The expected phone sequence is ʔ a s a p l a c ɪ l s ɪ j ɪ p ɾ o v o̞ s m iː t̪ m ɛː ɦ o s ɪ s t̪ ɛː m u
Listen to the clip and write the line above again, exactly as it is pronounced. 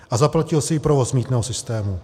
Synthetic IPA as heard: ʔ a z a p l a c ɪ l s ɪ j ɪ p ɾ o v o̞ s m iː t̪ n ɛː ɦ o s ɪ s t̪ ɛː m u